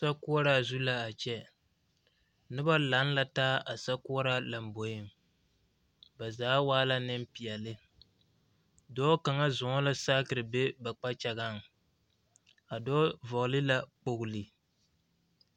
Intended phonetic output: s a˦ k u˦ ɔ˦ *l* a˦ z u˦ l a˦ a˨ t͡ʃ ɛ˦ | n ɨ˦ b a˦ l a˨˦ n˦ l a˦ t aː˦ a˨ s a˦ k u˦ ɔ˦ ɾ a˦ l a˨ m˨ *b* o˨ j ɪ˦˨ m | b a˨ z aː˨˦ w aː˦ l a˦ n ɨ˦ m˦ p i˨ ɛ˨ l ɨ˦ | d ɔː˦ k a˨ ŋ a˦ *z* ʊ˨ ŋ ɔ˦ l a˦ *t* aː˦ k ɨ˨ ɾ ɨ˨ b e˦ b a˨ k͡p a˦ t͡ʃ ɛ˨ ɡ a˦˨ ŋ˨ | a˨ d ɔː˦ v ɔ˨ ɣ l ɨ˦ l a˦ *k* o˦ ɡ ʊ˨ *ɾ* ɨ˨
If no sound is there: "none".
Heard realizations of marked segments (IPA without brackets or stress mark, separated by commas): ɾ, b, z, s, k͡p, l